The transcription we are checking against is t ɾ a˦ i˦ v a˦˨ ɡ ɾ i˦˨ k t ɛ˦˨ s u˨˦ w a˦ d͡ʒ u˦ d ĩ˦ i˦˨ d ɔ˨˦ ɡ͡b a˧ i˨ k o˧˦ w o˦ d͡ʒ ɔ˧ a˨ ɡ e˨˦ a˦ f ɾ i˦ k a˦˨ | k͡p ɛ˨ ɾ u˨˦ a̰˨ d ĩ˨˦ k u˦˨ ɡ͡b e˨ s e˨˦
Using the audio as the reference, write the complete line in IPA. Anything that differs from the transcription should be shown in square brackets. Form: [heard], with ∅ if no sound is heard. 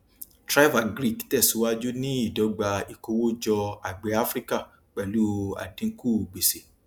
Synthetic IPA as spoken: t ɾ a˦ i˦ v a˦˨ ɡ ɾ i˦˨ k t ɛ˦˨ s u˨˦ w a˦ d͡ʒ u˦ [n] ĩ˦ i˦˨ d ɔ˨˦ ɡ͡b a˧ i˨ k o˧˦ w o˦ d͡ʒ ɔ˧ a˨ [ɡ͡b] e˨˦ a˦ f ɾ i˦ k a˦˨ | k͡p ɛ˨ [l] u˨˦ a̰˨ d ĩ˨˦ k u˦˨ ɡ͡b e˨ s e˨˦

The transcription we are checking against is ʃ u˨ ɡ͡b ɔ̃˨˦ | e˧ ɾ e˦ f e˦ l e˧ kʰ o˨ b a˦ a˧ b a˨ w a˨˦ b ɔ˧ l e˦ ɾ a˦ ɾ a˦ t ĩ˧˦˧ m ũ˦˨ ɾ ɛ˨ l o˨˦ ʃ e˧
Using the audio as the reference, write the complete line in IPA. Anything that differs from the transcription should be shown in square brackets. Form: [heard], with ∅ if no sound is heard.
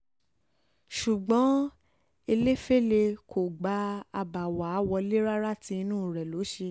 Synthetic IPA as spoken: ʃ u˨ ɡ͡b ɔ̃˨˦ | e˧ [l] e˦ f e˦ l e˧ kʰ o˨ [ɡ͡b] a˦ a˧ b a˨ w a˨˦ [w] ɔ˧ l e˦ ɾ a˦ ɾ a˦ t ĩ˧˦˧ [n] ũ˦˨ ɾ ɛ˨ l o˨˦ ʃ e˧

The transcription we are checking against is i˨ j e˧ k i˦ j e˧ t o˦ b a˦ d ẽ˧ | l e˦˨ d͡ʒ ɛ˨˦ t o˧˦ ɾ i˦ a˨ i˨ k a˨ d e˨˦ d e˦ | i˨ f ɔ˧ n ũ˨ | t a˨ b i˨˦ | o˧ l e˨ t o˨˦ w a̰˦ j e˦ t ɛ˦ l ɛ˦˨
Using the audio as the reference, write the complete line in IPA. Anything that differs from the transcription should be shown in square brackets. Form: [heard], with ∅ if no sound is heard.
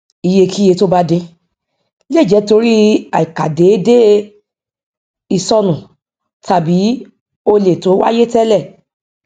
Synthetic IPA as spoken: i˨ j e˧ k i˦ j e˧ t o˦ b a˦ d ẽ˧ | l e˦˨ d͡ʒ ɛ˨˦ t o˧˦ ɾ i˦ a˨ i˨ k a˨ d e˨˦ d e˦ | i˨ [s] ɔ˧ n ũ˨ | t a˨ b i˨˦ | o˧ l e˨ t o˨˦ w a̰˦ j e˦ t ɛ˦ l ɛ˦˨

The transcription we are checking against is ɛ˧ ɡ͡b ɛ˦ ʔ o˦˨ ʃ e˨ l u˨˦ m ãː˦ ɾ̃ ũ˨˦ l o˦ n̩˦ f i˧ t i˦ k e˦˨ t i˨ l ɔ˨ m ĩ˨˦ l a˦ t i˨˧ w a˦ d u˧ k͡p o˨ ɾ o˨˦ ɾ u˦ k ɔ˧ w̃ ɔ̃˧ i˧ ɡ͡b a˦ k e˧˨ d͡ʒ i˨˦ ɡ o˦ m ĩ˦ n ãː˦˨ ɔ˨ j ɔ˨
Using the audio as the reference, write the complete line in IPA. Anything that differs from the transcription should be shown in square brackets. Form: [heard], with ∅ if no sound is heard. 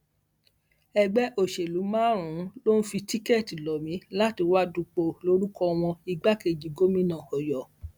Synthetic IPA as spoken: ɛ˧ ɡ͡b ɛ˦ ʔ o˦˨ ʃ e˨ l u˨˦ m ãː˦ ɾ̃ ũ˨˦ l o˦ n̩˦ f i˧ t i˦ k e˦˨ t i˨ l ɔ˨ m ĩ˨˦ l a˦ t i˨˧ w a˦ d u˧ k͡p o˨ [l] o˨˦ ɾ u˦ k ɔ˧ w̃ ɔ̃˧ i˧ ɡ͡b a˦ k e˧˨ d͡ʒ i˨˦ ɡ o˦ m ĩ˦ n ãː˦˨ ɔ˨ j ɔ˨

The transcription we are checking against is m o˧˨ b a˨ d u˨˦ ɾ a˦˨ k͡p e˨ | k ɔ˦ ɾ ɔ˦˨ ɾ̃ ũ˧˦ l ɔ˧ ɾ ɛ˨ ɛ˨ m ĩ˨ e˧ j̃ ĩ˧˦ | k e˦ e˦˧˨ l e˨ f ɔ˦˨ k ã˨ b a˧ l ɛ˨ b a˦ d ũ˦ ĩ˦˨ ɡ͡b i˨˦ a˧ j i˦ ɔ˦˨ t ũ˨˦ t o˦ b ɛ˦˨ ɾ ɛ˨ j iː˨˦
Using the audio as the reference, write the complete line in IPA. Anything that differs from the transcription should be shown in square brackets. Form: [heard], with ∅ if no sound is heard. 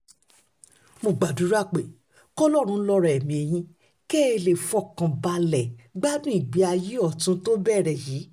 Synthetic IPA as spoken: m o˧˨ [ɡ͡b] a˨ d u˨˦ ɾ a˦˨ k͡p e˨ | k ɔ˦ [l] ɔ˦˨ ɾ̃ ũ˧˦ l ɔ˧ ɾ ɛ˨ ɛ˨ m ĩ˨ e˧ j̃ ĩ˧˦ | k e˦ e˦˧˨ l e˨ f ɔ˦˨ k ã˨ b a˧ l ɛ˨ [ɡ͡b] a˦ d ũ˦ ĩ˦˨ ɡ͡b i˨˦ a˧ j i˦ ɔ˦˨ t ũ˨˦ t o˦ b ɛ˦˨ ɾ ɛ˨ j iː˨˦

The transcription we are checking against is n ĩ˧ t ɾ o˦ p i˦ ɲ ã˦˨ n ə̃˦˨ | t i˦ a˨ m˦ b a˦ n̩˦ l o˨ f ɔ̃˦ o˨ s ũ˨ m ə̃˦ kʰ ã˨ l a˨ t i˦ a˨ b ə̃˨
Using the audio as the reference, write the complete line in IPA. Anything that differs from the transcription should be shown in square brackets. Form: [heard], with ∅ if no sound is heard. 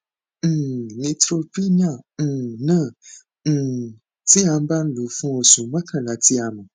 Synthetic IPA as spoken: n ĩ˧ t ɾ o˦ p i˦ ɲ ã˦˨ n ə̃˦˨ | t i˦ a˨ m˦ b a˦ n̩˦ l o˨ f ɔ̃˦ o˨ s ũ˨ m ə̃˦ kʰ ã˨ l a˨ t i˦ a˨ [m] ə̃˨

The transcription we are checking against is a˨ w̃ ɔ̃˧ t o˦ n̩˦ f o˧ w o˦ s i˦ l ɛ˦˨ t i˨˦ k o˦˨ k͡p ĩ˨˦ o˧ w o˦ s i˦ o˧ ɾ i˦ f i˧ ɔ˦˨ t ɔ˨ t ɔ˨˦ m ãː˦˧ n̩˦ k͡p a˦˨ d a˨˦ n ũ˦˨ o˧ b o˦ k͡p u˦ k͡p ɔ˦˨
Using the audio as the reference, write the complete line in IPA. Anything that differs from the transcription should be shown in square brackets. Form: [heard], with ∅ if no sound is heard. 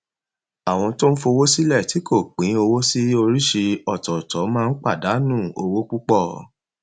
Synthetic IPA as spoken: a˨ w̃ ɔ̃˧ t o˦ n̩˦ f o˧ w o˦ s i˦ l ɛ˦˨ t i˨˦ k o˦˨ k͡p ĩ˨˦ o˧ w o˦ s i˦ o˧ ɾ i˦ [ʃ] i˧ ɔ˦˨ t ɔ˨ t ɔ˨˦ m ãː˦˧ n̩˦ k͡p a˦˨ d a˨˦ n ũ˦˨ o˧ [w] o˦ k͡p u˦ k͡p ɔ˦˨

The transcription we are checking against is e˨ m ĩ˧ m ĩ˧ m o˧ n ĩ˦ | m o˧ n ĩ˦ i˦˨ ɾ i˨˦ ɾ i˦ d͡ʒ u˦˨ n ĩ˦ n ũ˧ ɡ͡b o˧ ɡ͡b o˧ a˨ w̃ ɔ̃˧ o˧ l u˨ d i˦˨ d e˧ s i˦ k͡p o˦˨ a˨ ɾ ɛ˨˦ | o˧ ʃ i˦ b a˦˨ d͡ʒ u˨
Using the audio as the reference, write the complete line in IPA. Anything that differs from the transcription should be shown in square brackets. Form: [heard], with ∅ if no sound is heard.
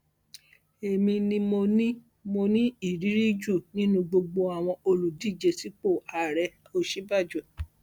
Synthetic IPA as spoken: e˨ m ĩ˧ [n] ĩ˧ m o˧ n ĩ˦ | m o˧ n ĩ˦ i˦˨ ɾ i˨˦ ɾ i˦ d͡ʒ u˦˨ n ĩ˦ n ũ˧ ɡ͡b o˧ ɡ͡b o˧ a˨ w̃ ɔ̃˧ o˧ l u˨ d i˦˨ [d͡ʒ] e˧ s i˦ k͡p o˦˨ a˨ ɾ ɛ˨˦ | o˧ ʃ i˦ b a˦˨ d͡ʒ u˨

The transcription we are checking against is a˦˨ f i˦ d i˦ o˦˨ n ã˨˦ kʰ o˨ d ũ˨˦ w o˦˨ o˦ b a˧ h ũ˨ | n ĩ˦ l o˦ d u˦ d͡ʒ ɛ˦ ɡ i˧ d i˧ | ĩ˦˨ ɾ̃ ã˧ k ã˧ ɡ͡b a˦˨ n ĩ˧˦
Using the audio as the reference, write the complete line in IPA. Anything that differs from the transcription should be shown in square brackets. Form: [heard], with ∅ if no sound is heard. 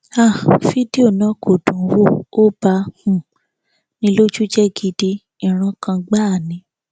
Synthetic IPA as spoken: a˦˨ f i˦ d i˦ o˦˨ n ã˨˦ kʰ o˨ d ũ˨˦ w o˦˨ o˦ b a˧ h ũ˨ | n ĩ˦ l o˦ [d͡ʒ] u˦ d͡ʒ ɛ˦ ɡ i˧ d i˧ | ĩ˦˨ ɾ̃ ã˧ k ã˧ ɡ͡b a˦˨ n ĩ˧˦

